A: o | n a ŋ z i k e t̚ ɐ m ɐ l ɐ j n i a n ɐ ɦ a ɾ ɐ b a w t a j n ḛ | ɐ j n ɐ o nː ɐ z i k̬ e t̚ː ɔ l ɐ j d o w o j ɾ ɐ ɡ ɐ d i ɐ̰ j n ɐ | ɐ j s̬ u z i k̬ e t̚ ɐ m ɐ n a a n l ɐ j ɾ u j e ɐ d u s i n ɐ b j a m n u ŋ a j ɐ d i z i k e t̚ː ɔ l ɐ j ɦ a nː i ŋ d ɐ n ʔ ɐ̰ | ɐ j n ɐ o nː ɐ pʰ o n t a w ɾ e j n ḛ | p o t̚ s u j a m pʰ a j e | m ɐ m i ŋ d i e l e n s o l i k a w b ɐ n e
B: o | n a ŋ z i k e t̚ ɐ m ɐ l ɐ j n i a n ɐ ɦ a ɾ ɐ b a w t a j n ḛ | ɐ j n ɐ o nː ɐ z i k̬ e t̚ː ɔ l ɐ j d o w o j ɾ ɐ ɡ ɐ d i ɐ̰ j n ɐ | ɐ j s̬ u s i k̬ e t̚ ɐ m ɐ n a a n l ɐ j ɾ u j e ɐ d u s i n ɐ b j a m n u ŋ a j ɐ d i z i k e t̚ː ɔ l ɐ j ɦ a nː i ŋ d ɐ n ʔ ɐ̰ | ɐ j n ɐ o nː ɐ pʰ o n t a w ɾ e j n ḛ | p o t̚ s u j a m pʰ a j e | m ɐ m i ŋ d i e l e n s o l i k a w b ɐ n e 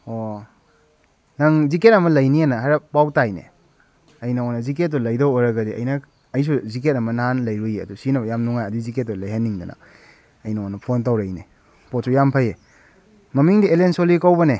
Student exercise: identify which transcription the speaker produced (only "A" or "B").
A